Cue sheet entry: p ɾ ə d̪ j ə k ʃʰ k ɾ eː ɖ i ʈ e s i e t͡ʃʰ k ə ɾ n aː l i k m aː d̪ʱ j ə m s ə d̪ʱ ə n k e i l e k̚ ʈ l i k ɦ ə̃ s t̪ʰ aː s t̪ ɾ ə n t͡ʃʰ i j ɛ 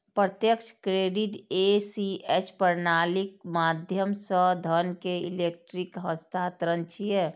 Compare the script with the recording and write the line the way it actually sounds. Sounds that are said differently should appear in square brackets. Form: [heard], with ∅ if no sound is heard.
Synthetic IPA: p ɾ ə [t̪] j ə k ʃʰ k ɾ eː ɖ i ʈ e s i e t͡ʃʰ [p] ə ɾ n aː l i k m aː d̪ʱ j ə m s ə d̪ʱ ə n k e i l e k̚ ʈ [ɾ] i k ɦ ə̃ s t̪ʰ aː [∅] t̪ ɾ ə n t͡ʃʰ i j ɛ